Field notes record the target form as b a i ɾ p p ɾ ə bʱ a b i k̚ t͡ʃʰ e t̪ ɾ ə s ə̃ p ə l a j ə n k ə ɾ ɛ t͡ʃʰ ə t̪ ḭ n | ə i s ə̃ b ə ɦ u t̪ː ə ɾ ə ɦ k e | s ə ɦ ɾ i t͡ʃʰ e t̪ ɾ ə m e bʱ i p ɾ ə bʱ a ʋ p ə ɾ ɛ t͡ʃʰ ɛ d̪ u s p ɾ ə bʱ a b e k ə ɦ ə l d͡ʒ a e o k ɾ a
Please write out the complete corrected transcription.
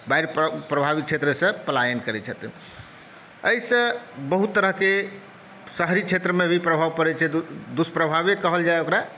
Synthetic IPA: b a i ɾ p p ɾ ə bʱ a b i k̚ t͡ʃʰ e t̪ ɾ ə s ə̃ p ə l a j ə n k ə ɾ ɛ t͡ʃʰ ə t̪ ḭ n | ə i s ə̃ b ə ɦ u t̪ː ə ɾ ə ɦ k e | s ə ɦ ɾ i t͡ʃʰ e t̪ ɾ ə m e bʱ i p ɾ ə bʱ a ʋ p ə ɾ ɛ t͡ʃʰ ɛ d̪ u s p ɾ ə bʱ a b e k ə ɦ ə l d͡ʒ a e o k ɾ a

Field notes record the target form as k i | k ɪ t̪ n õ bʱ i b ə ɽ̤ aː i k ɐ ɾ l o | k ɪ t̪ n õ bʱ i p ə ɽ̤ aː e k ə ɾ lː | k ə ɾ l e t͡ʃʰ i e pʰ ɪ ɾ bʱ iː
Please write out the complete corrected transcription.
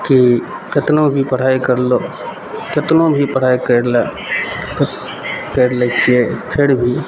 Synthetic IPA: k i | k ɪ t̪ n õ bʱ i p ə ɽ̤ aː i k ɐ ɾ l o | k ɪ t̪ n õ bʱ i p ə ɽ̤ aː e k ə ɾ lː | k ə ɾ l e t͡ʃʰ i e pʰ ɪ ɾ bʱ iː

